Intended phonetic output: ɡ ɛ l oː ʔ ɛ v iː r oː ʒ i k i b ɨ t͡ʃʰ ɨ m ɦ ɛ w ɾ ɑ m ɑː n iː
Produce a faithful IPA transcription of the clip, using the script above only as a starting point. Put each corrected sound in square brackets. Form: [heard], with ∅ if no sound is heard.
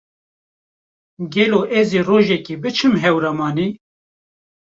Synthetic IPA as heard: ɡ ɛ l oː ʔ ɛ [z] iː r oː ʒ [ɛ] k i b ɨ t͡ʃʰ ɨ m ɦ ɛ w ɾ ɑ m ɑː n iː